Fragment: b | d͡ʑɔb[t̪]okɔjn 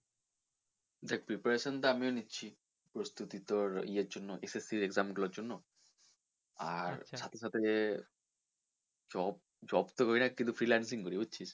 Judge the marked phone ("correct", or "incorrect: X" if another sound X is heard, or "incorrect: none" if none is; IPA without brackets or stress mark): correct